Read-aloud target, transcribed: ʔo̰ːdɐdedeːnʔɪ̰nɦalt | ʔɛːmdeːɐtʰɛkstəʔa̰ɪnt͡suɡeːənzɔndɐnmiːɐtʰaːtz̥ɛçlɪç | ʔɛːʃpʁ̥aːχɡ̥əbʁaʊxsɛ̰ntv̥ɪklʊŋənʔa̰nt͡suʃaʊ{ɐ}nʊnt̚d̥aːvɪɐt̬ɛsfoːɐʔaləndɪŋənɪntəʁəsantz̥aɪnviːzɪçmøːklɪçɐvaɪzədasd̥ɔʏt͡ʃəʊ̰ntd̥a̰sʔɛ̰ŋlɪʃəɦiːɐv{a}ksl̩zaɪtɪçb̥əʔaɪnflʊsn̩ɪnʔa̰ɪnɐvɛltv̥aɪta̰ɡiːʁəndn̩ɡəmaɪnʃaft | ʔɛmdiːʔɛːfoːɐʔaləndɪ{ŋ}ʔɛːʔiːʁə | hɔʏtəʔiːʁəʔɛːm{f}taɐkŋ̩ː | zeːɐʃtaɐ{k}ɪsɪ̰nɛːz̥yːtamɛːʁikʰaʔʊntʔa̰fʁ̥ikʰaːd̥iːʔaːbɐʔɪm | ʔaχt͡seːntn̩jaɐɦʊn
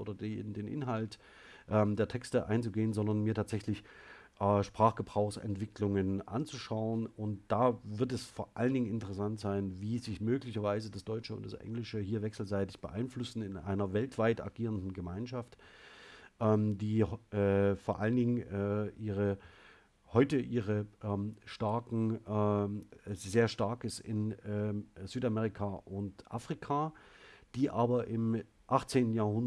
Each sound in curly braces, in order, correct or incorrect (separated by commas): incorrect, incorrect, correct, incorrect, correct